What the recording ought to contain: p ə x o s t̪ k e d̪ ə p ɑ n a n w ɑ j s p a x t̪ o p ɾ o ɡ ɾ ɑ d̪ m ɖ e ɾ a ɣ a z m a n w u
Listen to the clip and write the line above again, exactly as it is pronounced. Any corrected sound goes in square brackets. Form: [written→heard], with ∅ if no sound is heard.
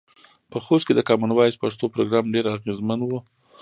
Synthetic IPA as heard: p ə x o s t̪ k e d̪ ə [p→k] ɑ [n→m] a n w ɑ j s p a [x→ʂ] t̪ o p ɾ o ɡ ɾ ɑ [d̪→∅] m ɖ e ɾ a ɣ [a→e] z m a n w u